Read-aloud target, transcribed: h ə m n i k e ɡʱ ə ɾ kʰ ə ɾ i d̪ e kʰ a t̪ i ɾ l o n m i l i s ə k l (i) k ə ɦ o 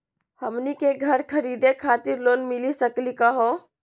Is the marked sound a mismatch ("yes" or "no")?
no